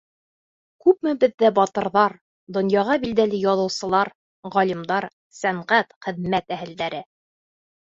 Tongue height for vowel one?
high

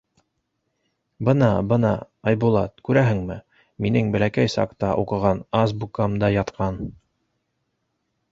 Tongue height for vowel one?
mid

